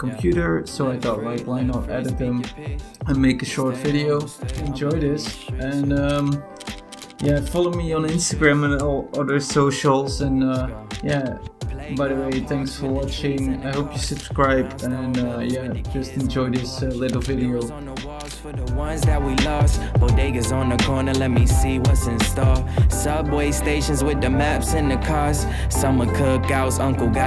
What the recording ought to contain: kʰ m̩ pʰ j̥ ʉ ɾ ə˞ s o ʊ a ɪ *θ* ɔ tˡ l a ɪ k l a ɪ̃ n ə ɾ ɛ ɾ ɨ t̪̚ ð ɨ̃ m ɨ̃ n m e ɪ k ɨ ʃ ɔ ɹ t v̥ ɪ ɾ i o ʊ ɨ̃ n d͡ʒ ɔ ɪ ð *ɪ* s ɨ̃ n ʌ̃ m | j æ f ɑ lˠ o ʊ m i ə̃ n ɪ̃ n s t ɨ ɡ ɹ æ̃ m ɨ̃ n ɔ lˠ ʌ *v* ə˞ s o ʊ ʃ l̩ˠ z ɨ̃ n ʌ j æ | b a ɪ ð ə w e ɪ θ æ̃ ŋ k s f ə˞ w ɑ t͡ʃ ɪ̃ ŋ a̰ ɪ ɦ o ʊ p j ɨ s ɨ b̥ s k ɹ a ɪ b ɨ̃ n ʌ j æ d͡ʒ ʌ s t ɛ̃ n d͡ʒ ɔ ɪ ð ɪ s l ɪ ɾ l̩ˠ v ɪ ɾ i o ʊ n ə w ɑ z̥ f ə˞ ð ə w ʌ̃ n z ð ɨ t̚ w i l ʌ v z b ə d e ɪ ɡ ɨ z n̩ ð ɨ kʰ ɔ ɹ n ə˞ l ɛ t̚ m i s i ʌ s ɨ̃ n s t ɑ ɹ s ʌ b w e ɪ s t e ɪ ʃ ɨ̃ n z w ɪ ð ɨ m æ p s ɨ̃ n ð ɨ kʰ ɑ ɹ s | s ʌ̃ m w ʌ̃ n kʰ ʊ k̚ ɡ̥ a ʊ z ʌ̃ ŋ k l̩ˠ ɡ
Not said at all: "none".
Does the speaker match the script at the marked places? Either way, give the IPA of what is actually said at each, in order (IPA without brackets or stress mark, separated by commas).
θ, ɪ, ð